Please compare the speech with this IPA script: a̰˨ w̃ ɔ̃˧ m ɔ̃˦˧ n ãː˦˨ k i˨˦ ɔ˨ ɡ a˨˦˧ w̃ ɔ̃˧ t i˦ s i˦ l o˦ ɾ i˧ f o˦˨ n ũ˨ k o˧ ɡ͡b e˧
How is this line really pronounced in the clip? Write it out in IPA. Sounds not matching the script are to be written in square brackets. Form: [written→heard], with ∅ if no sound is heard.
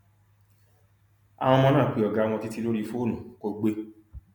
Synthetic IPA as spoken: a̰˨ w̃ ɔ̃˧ m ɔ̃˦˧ n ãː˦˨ [k→k͡p] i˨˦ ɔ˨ ɡ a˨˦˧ w̃ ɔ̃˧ t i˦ [s→t] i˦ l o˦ ɾ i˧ f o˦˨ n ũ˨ k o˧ ɡ͡b e˧